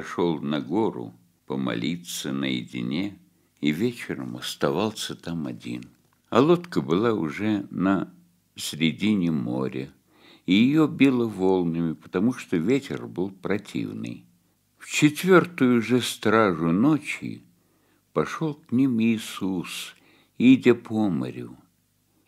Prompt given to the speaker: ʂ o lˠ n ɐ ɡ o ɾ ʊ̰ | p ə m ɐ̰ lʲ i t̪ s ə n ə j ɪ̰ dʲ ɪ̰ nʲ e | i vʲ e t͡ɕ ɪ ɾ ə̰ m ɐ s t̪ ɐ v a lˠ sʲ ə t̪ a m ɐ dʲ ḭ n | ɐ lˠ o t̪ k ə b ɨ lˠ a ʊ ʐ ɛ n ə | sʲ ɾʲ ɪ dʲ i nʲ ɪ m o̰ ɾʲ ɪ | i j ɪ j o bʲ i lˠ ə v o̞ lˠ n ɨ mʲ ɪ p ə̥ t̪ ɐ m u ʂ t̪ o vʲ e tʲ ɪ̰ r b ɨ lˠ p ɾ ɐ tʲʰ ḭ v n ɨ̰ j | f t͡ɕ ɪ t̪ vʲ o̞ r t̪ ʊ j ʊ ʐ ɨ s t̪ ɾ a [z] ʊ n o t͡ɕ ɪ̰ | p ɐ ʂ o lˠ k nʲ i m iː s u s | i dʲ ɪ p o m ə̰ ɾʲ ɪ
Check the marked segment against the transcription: incorrect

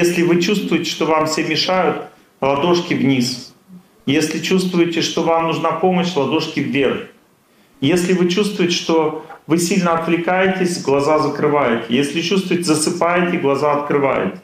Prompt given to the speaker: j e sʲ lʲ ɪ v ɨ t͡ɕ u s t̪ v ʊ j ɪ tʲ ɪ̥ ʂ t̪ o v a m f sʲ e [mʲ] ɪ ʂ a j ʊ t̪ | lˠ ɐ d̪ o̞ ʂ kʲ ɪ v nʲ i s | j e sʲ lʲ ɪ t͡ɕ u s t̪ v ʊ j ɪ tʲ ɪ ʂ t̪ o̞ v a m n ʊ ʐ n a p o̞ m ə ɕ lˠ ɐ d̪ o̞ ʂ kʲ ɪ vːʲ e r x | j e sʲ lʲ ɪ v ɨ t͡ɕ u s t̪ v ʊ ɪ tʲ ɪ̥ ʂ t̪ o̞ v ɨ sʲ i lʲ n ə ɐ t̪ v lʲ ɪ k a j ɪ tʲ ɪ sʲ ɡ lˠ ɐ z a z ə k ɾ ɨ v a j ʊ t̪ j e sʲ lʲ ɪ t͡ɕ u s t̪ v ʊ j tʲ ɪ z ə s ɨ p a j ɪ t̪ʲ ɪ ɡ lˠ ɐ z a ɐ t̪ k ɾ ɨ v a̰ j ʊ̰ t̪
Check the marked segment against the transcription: correct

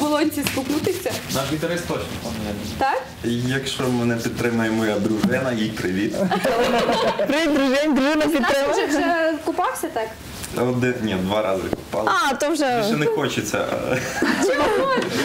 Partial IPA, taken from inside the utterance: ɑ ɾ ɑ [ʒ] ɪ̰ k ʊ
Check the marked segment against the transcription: incorrect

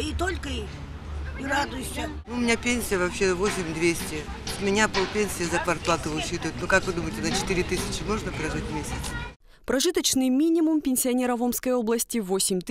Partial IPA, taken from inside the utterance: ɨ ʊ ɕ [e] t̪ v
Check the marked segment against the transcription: incorrect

